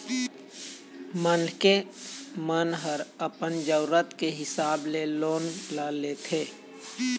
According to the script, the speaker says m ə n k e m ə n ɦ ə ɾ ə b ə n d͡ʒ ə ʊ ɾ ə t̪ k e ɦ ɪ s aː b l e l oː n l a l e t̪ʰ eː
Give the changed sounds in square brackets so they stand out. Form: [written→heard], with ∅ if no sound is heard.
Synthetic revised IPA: m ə n k e m ə n ɦ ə ɾ ə [b→p] ə n d͡ʒ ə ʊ ɾ ə t̪ k e ɦ ɪ s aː b l e l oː n l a l e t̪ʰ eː

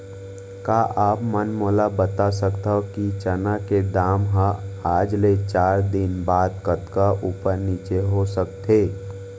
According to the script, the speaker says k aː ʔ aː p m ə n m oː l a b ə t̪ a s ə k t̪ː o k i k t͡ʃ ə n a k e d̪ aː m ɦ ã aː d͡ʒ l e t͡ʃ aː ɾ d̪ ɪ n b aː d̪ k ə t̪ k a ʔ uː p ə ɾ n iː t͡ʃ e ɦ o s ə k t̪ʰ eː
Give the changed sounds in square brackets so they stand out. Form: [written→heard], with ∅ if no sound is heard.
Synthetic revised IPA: k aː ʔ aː p m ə n m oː l a b ə t̪ a s ə k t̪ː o k i [k→∅] t͡ʃ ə n a k e d̪ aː m ɦ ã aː d͡ʒ l e t͡ʃ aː ɾ d̪ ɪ n b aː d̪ k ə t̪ k a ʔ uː p ə ɾ n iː t͡ʃ e ɦ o s ə k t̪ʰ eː

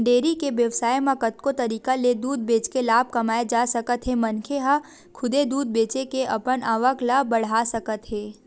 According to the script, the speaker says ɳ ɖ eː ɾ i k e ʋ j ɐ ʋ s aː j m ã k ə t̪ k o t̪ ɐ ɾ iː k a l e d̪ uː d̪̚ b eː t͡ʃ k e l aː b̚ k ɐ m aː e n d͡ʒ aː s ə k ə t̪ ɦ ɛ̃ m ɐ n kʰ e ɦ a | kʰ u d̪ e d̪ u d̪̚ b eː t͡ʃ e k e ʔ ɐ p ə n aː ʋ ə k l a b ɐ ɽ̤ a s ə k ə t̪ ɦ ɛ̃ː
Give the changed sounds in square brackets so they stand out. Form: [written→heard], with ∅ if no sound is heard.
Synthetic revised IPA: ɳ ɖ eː ɾ i k e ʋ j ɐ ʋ s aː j m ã k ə t̪ k o t̪ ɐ ɾ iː k a l e d̪ uː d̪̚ b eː t͡ʃ k e l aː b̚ k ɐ m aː e [n→∅] d͡ʒ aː s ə k ə t̪ ɦ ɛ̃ m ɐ n kʰ e ɦ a | kʰ [u→ʊ] d̪ e d̪ [u→uː] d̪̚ b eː t͡ʃ e k e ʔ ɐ p ə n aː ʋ ə k l a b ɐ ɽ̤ a s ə k ə t̪ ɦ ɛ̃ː

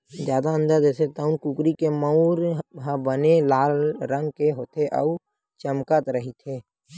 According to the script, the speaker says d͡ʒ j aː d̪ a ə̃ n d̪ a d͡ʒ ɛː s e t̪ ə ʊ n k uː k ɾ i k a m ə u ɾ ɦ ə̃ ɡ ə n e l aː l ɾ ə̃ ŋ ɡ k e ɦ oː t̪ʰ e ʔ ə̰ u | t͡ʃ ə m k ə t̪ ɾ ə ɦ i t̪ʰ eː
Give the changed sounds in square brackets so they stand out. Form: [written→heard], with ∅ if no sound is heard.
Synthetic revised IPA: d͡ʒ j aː d̪ a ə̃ n d̪ a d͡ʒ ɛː s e t̪ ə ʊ n k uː k ɾ i k [a→e] m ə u ɾ ɦ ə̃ [ɡ→b] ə n e l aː l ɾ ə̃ ŋ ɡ k e ɦ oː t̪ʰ e ʔ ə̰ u | t͡ʃ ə m k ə t̪ ɾ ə ɦ i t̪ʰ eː

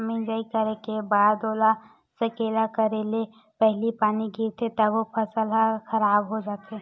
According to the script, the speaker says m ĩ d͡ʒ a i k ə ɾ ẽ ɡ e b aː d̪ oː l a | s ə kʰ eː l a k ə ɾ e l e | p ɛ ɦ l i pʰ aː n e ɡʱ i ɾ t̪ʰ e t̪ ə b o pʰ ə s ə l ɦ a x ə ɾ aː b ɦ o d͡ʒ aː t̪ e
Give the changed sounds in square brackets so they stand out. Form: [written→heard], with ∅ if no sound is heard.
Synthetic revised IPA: m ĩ d͡ʒ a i k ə ɾ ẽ [ɡ→k] e b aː d̪ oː l a | s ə [kʰ→k] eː l a k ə ɾ e l e | p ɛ ɦ l i [pʰ→p] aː n [e→i] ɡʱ i ɾ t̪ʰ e t̪ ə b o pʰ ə s ə l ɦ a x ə ɾ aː b ɦ o d͡ʒ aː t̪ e

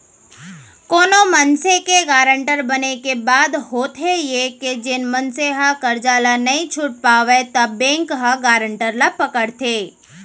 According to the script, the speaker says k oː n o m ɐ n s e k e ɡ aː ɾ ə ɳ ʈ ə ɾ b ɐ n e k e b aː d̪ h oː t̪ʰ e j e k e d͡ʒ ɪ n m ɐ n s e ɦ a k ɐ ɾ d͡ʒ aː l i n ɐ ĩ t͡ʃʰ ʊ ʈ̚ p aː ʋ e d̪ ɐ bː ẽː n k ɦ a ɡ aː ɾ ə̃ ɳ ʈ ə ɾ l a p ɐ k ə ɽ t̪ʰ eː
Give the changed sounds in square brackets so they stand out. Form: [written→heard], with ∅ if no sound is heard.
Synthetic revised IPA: k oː n o m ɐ n s e k e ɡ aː ɾ ə ɳ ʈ ə ɾ b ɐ n e k e b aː d̪ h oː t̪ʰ e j e k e d͡ʒ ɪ n m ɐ n s e ɦ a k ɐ ɾ d͡ʒ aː l [i→a] n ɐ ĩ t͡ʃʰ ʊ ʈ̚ p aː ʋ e [d̪→t̪] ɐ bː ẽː [n→ŋ] k ɦ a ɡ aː ɾ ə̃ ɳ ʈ ə ɾ l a p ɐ k ə ɽ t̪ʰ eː

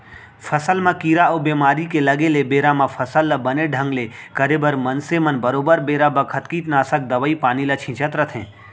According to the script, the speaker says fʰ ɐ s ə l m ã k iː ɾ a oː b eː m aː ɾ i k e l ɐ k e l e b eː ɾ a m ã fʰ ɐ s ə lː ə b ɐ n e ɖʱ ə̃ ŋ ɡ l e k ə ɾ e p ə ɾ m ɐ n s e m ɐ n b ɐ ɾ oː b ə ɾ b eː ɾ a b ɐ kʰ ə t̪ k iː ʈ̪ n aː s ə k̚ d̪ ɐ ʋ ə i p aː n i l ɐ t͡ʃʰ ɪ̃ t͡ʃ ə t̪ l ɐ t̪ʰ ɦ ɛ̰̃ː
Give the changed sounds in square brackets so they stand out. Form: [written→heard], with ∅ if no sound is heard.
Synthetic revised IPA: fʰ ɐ s ə l m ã k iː ɾ a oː b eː m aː ɾ i k e l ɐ [k→ɡ] e l e b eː ɾ a m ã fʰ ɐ s ə lː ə b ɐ n e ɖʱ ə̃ ŋ ɡ l e k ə ɾ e [p→b] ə ɾ m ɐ n s e m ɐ n b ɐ ɾ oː b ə ɾ b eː ɾ a b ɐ kʰ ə t̪ k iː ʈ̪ n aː s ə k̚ d̪ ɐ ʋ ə i p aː n i l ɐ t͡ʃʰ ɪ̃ t͡ʃ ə t̪ [l→ɾ] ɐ t̪ʰ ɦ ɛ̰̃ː

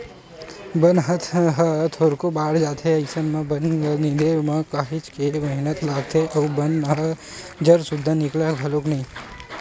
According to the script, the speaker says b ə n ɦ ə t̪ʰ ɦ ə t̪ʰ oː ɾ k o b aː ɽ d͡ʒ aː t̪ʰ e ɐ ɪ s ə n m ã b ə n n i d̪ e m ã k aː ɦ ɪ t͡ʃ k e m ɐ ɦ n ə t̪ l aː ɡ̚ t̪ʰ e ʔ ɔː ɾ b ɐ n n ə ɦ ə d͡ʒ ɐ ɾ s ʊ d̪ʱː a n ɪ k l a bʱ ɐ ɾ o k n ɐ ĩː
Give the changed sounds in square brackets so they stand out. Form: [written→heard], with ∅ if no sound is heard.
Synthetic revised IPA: b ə n ɦ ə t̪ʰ ɦ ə t̪ʰ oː ɾ k o b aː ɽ d͡ʒ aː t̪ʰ e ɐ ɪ s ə n m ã b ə n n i d̪ e m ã k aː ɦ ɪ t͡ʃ k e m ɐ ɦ n ə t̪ l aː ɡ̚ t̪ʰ e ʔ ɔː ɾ b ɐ n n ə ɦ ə d͡ʒ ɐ ɾ s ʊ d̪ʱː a n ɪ k l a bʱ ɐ [ɾ→l] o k n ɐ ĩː

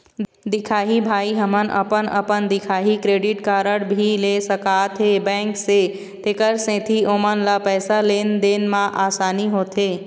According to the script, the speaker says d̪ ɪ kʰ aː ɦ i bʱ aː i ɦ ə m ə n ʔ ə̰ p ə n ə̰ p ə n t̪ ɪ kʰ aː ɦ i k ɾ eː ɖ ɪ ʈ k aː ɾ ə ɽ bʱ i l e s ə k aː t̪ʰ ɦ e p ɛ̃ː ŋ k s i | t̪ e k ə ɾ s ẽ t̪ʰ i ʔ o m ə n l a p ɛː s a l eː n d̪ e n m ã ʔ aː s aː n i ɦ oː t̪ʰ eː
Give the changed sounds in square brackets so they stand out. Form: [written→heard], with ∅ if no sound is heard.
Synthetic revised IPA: d̪ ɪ kʰ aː ɦ i bʱ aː i ɦ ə m ə n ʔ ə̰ p ə n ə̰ p ə n [t̪→d̪] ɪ kʰ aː ɦ i k ɾ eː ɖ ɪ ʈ k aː ɾ ə ɽ bʱ i l e s ə k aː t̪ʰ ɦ e [p→b] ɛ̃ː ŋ k s [i→e] | t̪ e k ə ɾ s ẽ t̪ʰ i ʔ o m ə n l a p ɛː s a l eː n d̪ e n m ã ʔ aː s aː n i ɦ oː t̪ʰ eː

